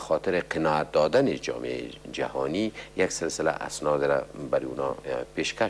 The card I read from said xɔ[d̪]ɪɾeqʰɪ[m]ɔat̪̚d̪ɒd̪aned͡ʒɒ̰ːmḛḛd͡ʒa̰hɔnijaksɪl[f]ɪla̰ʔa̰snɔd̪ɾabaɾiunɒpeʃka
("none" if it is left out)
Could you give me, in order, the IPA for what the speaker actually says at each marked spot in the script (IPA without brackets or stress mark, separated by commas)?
t̪, n, s